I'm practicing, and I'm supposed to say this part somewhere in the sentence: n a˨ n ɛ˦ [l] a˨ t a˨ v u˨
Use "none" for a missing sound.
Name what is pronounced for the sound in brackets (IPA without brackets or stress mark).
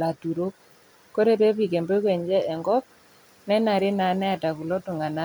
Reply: none